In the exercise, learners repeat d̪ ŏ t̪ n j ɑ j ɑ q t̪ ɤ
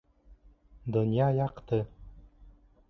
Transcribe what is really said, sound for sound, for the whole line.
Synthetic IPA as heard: d̪ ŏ n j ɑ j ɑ q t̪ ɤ